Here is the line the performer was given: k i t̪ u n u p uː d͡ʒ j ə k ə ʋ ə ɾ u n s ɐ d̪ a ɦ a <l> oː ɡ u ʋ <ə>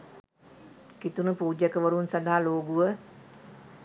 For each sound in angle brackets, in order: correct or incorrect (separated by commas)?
correct, correct